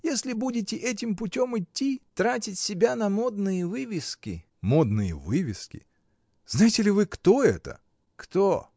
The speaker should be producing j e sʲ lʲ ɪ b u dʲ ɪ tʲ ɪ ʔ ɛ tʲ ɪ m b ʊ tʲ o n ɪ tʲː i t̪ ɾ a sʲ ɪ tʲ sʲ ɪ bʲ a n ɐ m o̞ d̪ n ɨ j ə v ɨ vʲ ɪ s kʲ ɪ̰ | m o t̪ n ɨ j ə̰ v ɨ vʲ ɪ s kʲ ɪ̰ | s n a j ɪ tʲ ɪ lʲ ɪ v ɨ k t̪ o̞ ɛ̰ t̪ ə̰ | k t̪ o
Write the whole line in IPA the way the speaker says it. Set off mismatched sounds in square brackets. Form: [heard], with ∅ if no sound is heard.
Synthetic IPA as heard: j e sʲ lʲ ɪ b u dʲ ɪ tʲ ɪ ʔ ɛ tʲ ɪ m [p] ʊ tʲ o [m] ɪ tʲː i t̪ ɾ a [tʲ] ɪ tʲ sʲ ɪ bʲ a n ɐ m o̞ d̪ n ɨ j ə v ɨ vʲ ɪ s kʲ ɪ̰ | m o [d̪] n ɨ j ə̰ v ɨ vʲ ɪ s kʲ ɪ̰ | [z] n a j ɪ tʲ ɪ lʲ ɪ v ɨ k t̪ o̞ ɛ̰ t̪ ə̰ | k t̪ o